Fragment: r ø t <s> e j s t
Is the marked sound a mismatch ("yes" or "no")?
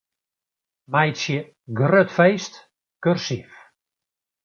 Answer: yes